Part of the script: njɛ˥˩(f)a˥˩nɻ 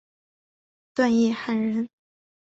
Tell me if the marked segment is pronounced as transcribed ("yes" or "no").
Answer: no